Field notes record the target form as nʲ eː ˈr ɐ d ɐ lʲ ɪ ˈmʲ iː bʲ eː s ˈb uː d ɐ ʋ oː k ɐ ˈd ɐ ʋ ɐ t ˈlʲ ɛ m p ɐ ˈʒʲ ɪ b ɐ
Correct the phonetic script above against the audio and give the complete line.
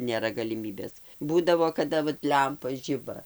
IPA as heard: nʲ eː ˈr ɐ ɡ ɐ lʲ ɪ ˈmʲ iː bʲ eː s ˈb uː d ɐ ʋ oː k ɐ ˈd ɐ ʋ ɐ t ˈlʲ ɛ m p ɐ ˈʒʲ ɪ b ɐ